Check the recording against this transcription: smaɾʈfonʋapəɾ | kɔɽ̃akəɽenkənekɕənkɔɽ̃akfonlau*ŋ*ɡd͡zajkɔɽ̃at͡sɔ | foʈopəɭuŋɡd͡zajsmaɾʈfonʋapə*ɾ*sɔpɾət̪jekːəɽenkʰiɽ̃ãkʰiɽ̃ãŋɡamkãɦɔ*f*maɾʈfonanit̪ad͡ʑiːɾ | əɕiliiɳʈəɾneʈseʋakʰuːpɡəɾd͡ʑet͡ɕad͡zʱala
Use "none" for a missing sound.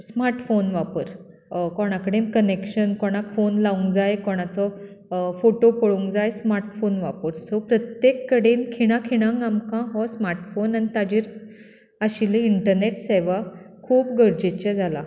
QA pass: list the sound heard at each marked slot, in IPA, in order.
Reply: ŋ, ɾ, s

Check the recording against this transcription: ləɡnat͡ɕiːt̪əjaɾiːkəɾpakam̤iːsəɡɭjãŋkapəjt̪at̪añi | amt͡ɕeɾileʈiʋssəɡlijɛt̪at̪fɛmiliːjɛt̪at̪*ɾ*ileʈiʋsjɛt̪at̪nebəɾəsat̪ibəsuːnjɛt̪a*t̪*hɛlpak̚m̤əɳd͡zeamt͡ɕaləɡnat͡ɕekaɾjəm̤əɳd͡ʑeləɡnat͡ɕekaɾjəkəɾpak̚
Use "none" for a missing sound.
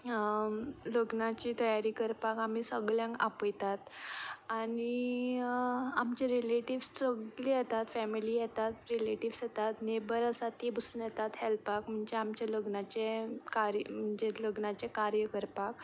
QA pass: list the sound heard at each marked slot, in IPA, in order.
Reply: ɾ, t̪

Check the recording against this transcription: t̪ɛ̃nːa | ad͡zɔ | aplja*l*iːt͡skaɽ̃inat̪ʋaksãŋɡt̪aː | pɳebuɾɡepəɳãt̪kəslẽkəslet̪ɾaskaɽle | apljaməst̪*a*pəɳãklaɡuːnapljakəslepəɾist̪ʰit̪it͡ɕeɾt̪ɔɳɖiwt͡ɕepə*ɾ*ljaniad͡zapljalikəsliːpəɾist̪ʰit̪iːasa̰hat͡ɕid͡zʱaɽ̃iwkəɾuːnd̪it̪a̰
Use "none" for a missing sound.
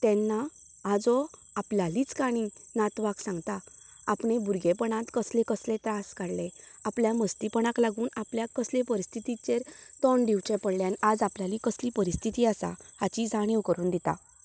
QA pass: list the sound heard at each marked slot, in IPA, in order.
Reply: l, i, ɽ

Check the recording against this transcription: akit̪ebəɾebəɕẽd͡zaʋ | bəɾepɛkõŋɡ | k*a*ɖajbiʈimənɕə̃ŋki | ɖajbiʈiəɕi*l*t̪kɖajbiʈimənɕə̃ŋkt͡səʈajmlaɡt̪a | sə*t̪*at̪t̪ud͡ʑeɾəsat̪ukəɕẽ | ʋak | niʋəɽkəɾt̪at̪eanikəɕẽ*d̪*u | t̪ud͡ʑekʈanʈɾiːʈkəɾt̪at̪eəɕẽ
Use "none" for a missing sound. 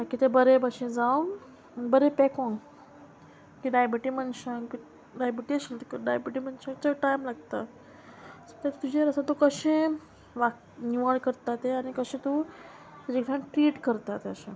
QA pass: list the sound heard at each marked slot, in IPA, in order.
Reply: i, l, t̪, t̪

